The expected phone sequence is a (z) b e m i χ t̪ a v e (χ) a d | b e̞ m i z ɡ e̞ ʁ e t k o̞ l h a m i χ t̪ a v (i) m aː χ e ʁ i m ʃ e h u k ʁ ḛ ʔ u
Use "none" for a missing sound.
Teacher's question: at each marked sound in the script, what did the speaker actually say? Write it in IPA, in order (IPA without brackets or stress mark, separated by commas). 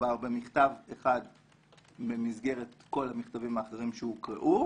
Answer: ʁ, χ, i